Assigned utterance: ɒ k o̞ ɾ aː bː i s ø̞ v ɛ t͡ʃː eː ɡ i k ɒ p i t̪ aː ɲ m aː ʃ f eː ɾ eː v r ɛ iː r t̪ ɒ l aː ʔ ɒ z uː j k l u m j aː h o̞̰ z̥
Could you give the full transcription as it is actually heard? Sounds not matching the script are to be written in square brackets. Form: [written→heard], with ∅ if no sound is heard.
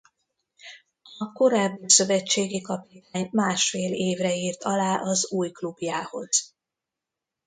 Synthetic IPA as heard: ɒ k o̞ ɾ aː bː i s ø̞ v ɛ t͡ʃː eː ɡ i k ɒ p i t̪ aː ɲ m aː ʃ f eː [ɾ→l] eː v r ɛ iː r t̪ ɒ l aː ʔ ɒ z uː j k l u [m→b] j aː h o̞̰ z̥

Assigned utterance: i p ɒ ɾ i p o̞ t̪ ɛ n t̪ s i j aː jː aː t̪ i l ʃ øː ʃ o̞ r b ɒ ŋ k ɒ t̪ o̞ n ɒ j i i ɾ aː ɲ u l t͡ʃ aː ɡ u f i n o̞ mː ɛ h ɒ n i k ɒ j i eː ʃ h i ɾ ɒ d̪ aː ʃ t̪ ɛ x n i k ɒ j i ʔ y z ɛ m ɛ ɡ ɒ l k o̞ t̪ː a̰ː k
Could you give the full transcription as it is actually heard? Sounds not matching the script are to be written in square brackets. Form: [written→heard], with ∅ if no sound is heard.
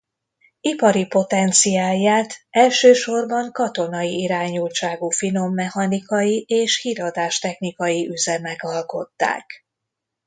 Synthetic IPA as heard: i p ɒ ɾ i p o̞ t̪ ɛ n t̪ s i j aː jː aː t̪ [i→ɛ] l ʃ øː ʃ o̞ r b ɒ ŋ k ɒ t̪ o̞ n ɒ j i i ɾ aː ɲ u l t͡ʃ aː ɡ u f i n o̞ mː ɛ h ɒ n i k ɒ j i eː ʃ h i ɾ ɒ d̪ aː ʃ t̪ ɛ x n i k ɒ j i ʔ y z ɛ m ɛ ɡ ɒ l k o̞ t̪ː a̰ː k

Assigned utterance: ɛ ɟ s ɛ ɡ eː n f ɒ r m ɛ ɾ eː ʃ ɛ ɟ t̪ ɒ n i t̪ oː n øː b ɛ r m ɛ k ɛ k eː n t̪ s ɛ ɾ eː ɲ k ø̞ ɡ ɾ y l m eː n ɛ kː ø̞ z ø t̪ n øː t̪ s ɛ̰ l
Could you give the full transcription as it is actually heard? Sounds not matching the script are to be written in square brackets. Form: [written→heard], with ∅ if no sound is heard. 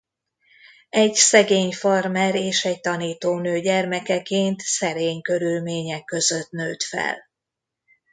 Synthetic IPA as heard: ɛ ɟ s ɛ ɡ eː [n→ɲ] f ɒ r m ɛ ɾ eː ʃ ɛ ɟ t̪ ɒ n [i→iː] t̪ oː n øː [b→ɟ] ɛ r m ɛ k ɛ k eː n t̪ s ɛ ɾ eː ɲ k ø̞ [ɡ→∅] ɾ y l m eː [n→ɲ] ɛ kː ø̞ z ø t̪ n øː t̪ [s→f] ɛ̰ l

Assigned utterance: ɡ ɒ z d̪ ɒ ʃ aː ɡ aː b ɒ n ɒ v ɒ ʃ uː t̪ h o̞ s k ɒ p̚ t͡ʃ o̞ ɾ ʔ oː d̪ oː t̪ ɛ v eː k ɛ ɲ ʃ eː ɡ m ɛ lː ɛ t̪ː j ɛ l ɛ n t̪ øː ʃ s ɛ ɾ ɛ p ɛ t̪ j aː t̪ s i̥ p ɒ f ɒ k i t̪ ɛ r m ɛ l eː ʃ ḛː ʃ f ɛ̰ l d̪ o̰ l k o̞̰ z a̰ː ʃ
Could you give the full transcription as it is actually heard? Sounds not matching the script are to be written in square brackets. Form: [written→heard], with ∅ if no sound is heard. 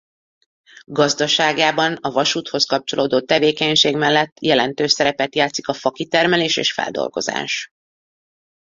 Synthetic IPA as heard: ɡ ɒ z d̪ ɒ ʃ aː ɡ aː b ɒ n ɒ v ɒ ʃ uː t̪ h o̞ s k ɒ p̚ t͡ʃ o̞ [ɾ→l] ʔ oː d̪ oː t̪ ɛ v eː k ɛ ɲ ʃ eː ɡ m ɛ lː ɛ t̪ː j ɛ l ɛ n t̪ øː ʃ s ɛ ɾ ɛ p ɛ t̪ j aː t̪ s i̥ [p→k] ɒ f ɒ k i t̪ ɛ r m ɛ l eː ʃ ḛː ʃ f ɛ̰ l d̪ o̰ l [k→ɡ] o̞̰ z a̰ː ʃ

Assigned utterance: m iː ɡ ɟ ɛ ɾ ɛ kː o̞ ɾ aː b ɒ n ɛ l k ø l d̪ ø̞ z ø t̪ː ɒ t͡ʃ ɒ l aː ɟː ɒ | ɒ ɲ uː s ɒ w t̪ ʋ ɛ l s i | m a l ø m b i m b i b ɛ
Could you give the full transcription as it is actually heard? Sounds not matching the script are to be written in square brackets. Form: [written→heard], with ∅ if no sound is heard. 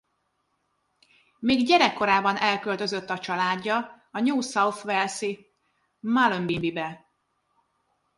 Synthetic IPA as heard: m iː ɡ ɟ ɛ ɾ ɛ kː o̞ ɾ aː b ɒ n ɛ l k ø l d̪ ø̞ z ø t̪ː ɒ t͡ʃ ɒ l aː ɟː ɒ | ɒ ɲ uː s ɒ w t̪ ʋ ɛ l s i | m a l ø m b i m b i b ɛ

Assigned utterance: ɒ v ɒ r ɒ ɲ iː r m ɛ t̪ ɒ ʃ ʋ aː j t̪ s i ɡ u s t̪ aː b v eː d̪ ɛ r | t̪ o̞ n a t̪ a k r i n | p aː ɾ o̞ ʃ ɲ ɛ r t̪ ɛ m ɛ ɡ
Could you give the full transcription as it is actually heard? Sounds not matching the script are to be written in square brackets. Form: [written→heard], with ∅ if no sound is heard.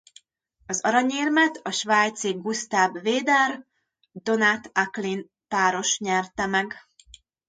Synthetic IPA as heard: ɒ [v→z] ɒ [r→ɾ] ɒ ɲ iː r m ɛ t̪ ɒ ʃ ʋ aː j t̪ s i ɡ u s t̪ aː b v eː d̪ ɛ r | [t̪→d̪] o̞ n a t̪ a k [r→l] i n | p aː ɾ o̞ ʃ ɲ ɛ r t̪ ɛ m ɛ ɡ

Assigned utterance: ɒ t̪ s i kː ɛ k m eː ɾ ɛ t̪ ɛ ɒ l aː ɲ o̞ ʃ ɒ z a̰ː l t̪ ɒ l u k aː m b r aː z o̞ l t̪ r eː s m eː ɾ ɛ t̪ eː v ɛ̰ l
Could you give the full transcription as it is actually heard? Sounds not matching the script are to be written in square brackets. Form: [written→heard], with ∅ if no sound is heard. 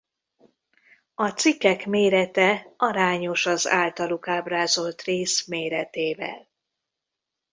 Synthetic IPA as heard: ɒ t̪ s i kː ɛ k m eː ɾ ɛ t̪ ɛ ɒ [l→ɾ] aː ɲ o̞ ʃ ɒ z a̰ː l t̪ ɒ l u k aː [m→∅] b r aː z o̞ l t̪ r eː s m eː ɾ ɛ t̪ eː v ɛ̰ l

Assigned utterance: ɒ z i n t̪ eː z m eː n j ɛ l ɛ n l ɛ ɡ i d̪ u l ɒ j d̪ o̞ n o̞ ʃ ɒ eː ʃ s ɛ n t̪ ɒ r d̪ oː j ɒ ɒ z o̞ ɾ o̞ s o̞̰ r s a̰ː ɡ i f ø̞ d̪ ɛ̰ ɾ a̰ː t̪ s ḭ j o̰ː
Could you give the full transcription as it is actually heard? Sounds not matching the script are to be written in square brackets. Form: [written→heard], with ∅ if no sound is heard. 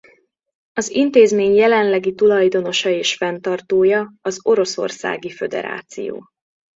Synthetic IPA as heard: ɒ z i n t̪ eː z m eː [n→ɲ] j ɛ l ɛ n l ɛ ɡ i [d̪→t̪] u l ɒ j d̪ o̞ n o̞ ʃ ɒ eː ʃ [s→f] ɛ n t̪ ɒ r [d̪→t̪] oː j ɒ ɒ z o̞ ɾ o̞ s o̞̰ r s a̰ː ɡ i f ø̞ d̪ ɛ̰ ɾ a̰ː t̪ s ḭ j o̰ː

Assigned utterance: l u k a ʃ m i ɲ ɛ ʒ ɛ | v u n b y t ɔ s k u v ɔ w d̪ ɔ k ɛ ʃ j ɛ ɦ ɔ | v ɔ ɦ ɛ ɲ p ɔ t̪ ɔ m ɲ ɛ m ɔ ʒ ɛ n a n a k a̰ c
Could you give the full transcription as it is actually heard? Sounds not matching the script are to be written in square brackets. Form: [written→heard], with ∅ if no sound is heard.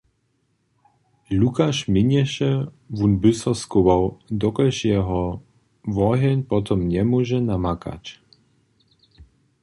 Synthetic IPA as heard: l u k a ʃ m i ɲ ɛ [ʒ→ʃ] ɛ | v u n b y [t→s] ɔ s k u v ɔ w d̪ ɔ k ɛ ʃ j ɛ ɦ ɔ | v ɔ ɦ ɛ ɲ p ɔ t̪ ɔ m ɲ ɛ m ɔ ʒ ɛ n a [n→m] a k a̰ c

